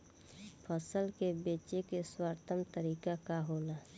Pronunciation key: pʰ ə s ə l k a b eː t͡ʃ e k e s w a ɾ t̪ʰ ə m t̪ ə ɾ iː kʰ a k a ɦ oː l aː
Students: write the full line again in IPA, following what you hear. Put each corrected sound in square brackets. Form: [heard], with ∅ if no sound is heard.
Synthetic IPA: pʰ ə s ə l k [e] b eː t͡ʃ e k e s w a ɾ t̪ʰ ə m t̪ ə ɾ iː [k] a k a ɦ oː l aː